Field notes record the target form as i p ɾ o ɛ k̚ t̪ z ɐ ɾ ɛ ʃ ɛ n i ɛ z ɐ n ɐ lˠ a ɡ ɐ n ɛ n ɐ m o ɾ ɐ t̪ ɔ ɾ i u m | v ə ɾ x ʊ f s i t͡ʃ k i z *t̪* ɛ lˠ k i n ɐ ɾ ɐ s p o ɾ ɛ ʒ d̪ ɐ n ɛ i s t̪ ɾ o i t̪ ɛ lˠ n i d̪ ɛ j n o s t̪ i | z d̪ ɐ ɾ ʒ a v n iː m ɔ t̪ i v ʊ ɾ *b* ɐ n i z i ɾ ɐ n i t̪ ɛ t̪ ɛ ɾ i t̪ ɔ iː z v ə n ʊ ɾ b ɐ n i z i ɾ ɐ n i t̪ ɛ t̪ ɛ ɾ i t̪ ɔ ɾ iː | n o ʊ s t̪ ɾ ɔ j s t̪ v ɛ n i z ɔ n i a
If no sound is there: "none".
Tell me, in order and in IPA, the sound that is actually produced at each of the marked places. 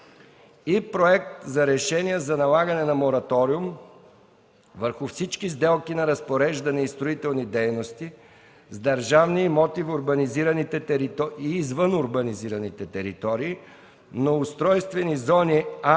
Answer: d̪, b

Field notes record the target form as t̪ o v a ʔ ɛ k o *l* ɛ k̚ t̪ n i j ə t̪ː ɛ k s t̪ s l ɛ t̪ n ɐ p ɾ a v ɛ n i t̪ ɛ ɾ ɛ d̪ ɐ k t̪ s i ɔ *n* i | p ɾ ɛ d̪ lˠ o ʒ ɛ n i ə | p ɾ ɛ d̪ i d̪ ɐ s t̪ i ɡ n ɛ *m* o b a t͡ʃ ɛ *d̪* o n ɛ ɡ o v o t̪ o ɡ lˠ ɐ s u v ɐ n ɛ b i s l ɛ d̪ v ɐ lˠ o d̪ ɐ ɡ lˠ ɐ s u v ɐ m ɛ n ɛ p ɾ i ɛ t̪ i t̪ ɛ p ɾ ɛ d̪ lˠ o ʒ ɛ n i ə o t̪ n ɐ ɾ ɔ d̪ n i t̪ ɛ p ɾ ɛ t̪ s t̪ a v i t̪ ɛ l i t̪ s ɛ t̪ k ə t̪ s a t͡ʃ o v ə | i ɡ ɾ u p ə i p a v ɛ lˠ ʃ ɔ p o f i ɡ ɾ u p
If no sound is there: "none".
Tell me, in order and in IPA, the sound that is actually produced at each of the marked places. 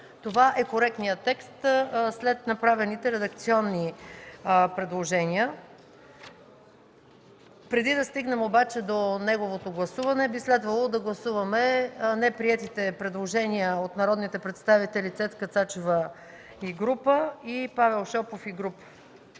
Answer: ɾ, nː, m, d̪

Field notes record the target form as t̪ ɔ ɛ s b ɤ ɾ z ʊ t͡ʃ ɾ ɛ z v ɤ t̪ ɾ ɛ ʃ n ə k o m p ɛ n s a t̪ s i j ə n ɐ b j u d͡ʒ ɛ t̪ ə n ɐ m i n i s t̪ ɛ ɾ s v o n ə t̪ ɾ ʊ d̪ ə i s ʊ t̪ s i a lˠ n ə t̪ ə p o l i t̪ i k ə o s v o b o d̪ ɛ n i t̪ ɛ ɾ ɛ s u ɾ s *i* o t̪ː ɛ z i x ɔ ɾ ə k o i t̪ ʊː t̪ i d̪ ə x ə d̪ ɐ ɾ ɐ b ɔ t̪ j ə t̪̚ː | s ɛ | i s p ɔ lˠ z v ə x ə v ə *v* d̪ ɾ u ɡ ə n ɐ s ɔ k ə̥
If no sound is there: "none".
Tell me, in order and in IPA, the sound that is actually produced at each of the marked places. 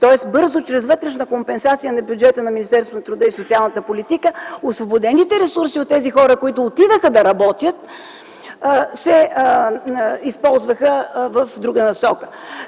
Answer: i, f

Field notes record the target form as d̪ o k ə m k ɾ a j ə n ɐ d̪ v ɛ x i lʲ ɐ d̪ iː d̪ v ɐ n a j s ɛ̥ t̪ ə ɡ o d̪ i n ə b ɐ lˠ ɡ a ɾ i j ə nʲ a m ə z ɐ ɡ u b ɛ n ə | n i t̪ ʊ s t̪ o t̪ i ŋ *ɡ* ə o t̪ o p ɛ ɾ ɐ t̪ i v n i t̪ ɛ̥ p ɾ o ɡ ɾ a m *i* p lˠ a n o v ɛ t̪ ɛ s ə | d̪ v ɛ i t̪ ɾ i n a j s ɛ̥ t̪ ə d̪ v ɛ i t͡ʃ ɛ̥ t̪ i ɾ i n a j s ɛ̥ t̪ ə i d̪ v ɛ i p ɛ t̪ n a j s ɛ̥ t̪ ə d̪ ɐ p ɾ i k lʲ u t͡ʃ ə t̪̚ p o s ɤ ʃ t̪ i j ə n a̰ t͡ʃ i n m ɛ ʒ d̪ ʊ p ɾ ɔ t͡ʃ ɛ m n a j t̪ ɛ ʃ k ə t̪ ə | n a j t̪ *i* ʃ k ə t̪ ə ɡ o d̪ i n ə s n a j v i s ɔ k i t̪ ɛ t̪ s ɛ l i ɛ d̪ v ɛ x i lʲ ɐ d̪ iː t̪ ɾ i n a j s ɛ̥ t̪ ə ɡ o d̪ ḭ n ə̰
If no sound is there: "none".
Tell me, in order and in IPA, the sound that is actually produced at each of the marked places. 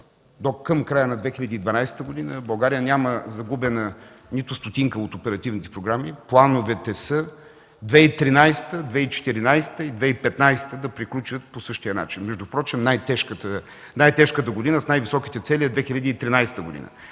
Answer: k, i, ɛ

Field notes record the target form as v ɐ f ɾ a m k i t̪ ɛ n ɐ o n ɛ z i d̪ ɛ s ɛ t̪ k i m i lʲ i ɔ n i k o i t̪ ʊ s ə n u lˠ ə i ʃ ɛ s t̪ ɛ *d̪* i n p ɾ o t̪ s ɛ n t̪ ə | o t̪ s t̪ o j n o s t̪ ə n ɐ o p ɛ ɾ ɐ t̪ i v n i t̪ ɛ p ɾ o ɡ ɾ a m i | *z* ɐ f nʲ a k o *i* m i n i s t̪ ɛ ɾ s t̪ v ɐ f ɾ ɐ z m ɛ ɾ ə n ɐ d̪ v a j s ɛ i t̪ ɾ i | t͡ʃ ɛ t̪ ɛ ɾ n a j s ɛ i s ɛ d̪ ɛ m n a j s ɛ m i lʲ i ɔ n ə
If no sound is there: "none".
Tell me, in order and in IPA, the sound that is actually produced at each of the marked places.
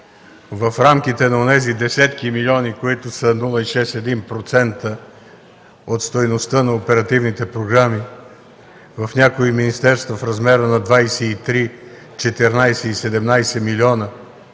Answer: d̪, v, i

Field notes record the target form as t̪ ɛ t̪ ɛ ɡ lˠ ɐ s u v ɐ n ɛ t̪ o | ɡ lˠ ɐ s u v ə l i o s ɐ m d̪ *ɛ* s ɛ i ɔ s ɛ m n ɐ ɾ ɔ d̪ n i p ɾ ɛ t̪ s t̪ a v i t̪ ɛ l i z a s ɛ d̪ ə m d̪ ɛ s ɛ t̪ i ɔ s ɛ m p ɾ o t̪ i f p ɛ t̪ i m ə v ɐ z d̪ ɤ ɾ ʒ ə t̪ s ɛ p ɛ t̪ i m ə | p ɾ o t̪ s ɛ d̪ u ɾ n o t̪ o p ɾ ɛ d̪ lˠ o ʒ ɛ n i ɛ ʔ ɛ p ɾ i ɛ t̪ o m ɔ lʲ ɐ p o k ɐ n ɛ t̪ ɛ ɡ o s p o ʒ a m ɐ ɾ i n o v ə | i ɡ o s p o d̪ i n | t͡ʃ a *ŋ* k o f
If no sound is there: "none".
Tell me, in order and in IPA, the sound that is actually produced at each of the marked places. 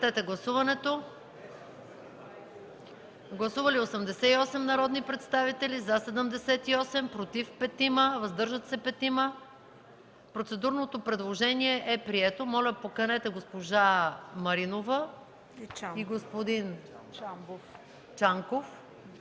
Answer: ɛ, ŋ

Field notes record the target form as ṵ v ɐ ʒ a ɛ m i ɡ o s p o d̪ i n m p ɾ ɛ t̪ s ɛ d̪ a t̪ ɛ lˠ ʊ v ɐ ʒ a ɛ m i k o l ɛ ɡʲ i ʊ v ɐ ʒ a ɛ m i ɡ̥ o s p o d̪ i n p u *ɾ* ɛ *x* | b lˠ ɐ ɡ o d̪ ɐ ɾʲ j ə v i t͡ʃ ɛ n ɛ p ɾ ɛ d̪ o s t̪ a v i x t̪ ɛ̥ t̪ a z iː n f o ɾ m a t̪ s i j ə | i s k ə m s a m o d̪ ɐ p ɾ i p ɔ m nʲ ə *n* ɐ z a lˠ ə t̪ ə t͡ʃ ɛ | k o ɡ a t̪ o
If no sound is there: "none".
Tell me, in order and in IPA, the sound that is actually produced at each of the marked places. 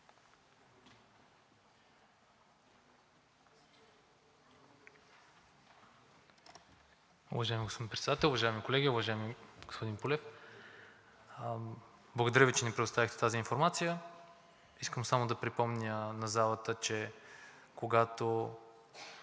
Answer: l, f, n

